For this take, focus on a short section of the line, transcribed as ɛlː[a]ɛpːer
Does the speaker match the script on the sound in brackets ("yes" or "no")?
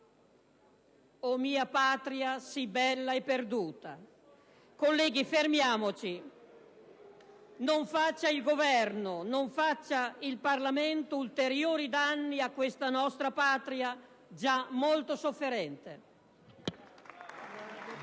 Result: yes